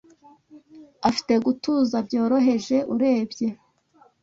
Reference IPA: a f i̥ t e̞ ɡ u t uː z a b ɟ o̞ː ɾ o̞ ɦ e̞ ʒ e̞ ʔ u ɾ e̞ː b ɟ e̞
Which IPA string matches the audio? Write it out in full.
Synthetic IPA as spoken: a f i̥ t e̞ ɡ u t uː z a b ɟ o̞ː ɾ o̞ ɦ e̞ ʒ e̞ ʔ u ɾ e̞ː b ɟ e̞